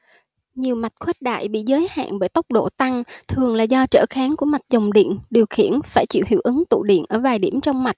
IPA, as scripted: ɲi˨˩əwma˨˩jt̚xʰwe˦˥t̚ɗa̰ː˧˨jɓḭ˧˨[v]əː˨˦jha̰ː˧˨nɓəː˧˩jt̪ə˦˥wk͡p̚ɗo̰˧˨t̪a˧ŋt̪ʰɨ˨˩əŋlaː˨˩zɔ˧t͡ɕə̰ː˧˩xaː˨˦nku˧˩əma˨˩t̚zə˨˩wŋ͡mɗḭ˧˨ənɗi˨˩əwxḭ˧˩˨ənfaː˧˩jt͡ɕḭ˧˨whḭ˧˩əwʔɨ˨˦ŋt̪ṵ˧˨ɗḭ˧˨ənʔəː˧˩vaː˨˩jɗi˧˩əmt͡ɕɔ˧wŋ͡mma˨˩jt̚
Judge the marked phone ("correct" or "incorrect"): incorrect